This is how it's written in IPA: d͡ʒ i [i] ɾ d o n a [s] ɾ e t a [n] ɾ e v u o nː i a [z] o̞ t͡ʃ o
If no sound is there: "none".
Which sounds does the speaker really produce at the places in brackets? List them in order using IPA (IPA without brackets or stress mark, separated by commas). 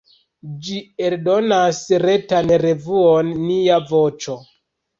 e, s, n, v